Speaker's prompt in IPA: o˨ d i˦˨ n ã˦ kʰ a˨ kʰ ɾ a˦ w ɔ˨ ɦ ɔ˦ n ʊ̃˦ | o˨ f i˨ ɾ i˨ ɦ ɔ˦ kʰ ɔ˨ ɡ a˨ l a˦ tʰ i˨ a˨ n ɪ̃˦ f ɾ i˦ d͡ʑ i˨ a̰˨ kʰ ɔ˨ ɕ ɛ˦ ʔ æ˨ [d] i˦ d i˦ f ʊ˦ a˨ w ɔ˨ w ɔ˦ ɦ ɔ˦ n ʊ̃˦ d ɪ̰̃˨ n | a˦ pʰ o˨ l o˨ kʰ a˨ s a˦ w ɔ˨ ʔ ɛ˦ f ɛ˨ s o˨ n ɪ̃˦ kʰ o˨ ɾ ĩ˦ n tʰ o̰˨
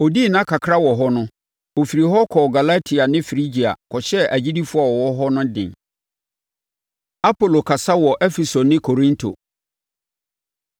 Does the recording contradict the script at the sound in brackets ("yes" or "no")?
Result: yes